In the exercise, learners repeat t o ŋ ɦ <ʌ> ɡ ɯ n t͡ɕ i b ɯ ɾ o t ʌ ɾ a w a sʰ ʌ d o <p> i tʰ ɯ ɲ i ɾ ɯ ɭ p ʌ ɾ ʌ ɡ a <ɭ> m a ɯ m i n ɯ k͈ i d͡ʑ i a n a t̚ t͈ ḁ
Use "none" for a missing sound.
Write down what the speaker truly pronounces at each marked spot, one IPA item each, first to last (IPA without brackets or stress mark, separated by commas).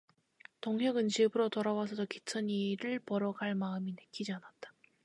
ʌ, k, ɭ